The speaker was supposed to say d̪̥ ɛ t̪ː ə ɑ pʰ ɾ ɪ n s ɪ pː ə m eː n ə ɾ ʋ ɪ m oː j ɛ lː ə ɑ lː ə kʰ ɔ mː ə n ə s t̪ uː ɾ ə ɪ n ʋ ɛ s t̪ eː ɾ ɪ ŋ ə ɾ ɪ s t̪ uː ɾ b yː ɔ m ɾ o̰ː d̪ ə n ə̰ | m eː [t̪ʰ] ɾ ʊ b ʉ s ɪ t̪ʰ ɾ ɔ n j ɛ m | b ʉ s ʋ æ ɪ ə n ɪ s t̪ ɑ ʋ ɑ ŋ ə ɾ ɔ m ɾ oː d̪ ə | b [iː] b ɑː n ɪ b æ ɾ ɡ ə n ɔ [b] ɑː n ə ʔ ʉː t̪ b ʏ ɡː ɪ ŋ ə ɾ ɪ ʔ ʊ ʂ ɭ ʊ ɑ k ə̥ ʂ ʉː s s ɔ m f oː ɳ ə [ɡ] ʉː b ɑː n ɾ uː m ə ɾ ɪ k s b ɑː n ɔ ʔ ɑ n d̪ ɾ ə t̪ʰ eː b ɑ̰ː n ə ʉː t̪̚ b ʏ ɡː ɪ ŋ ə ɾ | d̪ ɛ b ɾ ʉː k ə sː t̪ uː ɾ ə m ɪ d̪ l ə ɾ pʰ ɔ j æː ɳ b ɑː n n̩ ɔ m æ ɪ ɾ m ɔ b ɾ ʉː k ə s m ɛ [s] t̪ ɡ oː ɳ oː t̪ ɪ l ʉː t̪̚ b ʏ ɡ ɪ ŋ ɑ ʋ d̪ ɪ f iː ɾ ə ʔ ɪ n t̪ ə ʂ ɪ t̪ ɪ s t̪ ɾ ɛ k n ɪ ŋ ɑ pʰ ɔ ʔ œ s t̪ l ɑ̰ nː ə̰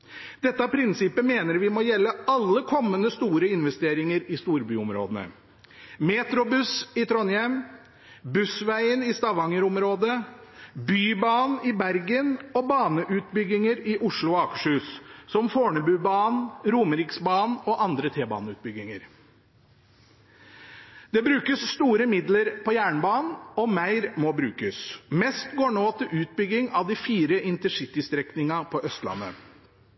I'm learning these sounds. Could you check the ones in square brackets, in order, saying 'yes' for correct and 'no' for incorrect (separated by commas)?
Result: no, no, yes, no, yes